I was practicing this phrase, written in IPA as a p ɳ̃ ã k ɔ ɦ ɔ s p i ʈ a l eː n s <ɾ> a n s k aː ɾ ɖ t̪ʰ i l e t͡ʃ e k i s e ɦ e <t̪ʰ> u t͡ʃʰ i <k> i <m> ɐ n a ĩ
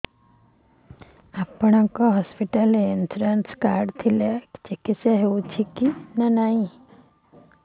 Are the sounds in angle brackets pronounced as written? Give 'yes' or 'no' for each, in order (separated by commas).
yes, no, yes, no